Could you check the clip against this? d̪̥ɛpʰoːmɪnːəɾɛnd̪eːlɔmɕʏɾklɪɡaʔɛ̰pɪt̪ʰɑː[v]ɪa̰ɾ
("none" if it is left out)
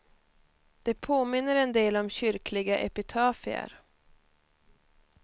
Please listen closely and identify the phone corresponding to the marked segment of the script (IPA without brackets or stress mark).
f